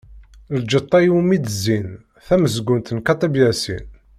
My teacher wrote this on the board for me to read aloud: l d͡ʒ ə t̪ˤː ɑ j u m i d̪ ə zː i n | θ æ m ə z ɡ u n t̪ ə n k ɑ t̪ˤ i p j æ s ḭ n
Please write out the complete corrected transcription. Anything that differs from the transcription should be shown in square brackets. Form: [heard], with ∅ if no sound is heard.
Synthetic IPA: l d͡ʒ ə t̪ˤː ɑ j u m i d̪ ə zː i n | θ æ m ə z ɡ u n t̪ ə n k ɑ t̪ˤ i [b] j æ s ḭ n